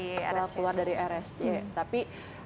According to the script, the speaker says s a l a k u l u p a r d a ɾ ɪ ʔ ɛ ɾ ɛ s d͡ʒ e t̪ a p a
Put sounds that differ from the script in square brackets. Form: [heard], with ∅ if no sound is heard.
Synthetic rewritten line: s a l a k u l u [∅] a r d a ɾ [i] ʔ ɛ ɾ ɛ s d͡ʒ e t̪ a p [i]